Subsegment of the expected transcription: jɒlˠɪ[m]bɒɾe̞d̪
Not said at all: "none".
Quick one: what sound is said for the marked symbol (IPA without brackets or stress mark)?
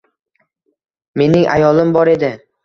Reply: m